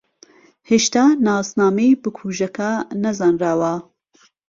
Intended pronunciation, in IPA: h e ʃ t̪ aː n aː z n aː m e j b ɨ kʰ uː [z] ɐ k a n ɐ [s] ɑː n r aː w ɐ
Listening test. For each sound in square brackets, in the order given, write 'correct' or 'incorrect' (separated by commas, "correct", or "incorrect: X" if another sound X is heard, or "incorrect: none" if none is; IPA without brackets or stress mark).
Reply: incorrect: ʒ, incorrect: z